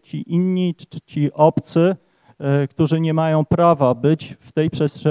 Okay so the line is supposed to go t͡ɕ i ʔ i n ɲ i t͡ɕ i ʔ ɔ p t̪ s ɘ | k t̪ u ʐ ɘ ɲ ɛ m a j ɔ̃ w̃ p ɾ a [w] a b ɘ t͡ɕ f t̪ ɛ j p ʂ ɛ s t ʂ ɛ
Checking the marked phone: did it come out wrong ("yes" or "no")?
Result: yes